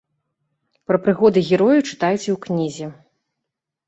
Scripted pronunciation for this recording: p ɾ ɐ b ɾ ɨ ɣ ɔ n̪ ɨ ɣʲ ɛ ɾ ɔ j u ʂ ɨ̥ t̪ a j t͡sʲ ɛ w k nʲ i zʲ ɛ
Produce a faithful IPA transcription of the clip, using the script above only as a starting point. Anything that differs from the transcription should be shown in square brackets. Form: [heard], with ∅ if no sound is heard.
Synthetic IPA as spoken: p ɾ ɐ [p] ɾ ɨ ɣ ɔ [d̪] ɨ ɣʲ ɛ ɾ ɔ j u [t͡ʂ] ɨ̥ t̪ a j t͡sʲ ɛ w k nʲ i zʲ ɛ